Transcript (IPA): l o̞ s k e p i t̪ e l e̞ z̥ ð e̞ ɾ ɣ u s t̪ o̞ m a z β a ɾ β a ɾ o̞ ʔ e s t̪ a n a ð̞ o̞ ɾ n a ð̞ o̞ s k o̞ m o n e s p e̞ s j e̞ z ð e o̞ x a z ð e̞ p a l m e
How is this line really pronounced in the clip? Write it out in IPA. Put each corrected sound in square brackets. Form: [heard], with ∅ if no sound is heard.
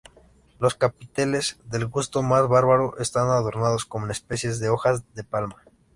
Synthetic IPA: l o̞ s k [a] p i t̪ e l e̞ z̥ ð e̞ [l] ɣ u s t̪ o̞ m a z β a ɾ β a ɾ o̞ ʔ e s t̪ a n a ð̞ o̞ ɾ n a ð̞ o̞ s k o̞ m o n e s p e̞ s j e̞ z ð e o̞ x a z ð e̞ p a l m [a]